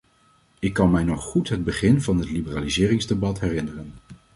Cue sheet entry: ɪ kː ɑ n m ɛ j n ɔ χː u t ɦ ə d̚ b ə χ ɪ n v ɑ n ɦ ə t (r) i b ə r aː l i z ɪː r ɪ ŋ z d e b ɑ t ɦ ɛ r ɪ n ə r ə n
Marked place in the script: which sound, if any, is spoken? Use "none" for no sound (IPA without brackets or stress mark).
l